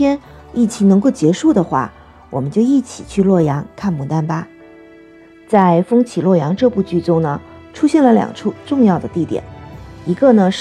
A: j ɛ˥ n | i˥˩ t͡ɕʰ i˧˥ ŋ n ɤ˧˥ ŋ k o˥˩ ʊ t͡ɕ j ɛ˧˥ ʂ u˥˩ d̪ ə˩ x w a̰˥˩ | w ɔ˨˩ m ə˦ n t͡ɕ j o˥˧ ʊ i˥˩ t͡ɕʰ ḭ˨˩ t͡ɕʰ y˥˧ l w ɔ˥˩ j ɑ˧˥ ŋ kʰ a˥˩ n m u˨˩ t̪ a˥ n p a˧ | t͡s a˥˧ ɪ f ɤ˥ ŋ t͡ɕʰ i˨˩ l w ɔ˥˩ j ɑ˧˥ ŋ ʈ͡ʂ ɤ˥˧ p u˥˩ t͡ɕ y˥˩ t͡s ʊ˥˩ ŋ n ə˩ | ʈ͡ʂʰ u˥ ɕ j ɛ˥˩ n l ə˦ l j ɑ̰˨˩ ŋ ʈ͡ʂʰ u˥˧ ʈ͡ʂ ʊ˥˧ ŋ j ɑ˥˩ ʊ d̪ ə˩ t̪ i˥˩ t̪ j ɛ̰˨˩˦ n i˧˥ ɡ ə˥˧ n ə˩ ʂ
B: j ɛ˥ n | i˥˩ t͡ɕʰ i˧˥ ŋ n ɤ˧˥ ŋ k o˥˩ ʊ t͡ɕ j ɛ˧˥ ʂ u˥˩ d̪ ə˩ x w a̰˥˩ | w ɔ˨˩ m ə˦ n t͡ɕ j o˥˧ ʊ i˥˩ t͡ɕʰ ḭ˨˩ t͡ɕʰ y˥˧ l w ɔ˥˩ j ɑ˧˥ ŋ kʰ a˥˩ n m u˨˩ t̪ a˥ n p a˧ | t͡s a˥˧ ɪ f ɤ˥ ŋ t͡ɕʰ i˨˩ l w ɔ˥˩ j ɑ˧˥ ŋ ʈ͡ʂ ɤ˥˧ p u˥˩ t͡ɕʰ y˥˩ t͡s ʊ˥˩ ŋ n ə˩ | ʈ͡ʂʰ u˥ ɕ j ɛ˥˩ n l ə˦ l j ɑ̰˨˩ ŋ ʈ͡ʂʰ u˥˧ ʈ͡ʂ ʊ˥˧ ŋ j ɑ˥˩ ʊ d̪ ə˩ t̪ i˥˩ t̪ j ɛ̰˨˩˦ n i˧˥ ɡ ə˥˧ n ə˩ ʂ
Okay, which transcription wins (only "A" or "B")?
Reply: A